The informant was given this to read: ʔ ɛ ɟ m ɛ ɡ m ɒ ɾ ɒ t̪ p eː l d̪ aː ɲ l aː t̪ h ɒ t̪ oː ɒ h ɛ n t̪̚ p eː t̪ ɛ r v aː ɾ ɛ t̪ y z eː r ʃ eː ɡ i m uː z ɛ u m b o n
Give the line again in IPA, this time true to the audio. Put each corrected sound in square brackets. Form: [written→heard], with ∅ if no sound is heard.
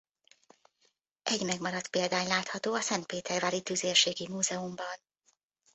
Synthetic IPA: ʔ ɛ ɟ m ɛ ɡ m ɒ ɾ ɒ t̪ p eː l d̪ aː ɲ l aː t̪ h ɒ t̪ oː ɒ [h→s] ɛ n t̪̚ p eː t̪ ɛ r v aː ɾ [ɛ→i] t̪ y z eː r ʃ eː ɡ i m uː z ɛ u m b [o→ɒ] n